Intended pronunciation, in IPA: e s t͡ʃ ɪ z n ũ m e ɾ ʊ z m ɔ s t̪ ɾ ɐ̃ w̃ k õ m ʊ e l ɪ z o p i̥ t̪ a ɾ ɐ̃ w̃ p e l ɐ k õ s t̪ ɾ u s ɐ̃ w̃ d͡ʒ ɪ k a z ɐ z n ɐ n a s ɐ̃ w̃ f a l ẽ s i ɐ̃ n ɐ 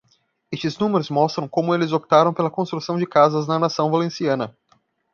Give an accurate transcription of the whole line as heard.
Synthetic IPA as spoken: e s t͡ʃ ɪ z n ũ m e ɾ ʊ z m ɔ s t̪ ɾ ɐ̃ w̃ k õ m ʊ e l ɪ z o p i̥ t̪ a ɾ ɐ̃ w̃ p e l ɐ k õ s t̪ ɾ u s ɐ̃ w̃ d͡ʒ ɪ k a z ɐ z n ɐ n a s ɐ̃ w̃ v a l ẽ s i ɐ̃ n ɐ